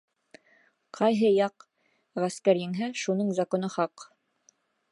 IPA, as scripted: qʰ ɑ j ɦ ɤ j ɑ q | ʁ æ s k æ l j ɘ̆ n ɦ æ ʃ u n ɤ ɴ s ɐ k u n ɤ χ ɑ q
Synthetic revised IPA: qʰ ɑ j ɦ ɤ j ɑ q | ʁ æ s k æ ɾ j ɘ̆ ŋ ɦ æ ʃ u n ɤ ɴ z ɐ k o n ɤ χ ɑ q